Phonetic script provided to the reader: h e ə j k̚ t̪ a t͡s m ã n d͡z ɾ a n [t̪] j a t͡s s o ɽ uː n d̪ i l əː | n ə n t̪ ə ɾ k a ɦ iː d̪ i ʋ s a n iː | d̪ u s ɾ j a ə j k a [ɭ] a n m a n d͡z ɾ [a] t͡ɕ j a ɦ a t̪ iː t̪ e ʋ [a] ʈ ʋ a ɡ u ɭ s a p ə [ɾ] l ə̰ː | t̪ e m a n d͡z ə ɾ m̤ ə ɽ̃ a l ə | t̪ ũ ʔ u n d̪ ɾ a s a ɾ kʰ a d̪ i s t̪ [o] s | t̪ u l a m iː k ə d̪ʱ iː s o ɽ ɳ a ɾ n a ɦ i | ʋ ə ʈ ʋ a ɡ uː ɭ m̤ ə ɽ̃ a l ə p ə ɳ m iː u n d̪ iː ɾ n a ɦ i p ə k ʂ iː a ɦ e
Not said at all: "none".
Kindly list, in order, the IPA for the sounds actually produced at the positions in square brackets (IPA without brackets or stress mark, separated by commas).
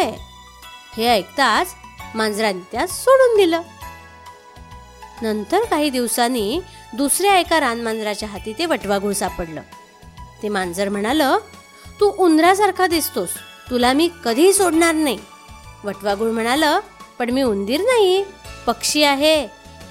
t̪, ɾ, a, ə, ɽ, o